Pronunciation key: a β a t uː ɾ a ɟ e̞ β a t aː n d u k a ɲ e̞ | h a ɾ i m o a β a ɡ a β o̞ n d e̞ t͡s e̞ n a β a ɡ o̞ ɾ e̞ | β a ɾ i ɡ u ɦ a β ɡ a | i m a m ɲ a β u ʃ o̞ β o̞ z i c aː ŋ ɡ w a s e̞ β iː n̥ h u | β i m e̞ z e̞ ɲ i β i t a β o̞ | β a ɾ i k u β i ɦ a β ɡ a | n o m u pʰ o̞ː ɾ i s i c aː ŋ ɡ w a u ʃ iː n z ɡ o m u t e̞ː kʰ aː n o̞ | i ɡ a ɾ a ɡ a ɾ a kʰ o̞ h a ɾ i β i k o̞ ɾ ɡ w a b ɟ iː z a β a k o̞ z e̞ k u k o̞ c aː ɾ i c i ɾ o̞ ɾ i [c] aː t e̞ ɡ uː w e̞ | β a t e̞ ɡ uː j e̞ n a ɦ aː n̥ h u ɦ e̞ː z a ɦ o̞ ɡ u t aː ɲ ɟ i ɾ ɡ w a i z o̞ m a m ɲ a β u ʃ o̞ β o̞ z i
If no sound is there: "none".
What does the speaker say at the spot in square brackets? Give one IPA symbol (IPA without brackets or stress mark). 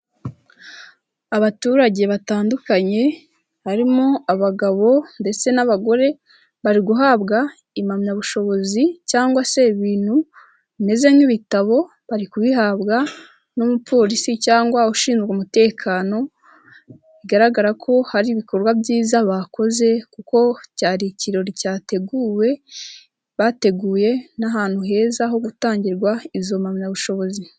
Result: c